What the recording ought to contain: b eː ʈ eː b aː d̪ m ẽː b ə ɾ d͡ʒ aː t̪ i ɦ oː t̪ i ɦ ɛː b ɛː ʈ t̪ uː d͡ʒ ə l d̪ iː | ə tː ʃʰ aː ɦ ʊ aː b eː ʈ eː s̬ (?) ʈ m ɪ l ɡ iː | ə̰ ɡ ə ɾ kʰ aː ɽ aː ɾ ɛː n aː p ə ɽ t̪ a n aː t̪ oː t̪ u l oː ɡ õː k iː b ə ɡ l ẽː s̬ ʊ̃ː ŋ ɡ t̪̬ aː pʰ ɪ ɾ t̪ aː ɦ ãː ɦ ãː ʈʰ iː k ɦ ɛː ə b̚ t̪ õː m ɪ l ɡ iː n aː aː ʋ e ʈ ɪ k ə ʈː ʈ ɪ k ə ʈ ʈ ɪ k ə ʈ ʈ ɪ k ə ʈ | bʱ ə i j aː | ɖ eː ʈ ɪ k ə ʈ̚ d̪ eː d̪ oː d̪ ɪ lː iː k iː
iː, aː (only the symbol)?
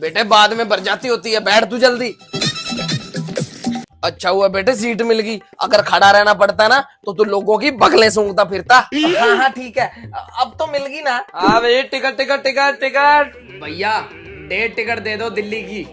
iː